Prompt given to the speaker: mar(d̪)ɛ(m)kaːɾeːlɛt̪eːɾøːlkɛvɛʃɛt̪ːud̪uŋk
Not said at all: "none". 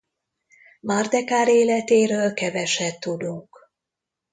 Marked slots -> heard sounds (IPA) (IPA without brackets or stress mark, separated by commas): d̪, none